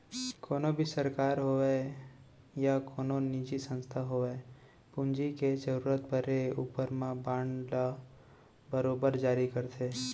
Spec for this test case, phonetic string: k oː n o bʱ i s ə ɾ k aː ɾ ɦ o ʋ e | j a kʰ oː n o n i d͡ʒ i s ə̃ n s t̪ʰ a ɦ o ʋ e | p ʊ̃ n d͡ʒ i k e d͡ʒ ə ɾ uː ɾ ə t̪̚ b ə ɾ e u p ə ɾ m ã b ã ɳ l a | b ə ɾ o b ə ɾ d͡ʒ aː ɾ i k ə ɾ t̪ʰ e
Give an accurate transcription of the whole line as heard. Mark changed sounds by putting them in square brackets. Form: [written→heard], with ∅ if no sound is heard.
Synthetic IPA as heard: k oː n o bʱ i s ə ɾ k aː ɾ ɦ o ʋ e | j a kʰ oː n o n i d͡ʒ i s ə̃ n s t̪ʰ a ɦ o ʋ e | p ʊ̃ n d͡ʒ i k e d͡ʒ ə ɾ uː ɾ ə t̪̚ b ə ɾ e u p ə ɾ m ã b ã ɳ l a | b ə ɾ o b ə ɾ d͡ʒ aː ɾ i k ə ɾ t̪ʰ e